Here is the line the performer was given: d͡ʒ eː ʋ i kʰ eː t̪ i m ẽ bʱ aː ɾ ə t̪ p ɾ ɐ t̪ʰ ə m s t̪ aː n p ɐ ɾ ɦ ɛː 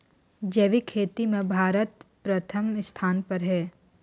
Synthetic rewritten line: d͡ʒ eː ʋ i kʰ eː t̪ i m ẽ bʱ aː ɾ ə t̪ p ɾ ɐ t̪ʰ ə m s t̪ʰ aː n p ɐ ɾ ɦ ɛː